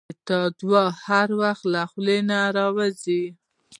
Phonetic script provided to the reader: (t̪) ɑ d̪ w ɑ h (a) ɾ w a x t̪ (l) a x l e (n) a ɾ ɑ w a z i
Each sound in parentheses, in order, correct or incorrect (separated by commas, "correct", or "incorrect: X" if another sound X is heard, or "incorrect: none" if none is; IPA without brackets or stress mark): correct, correct, correct, correct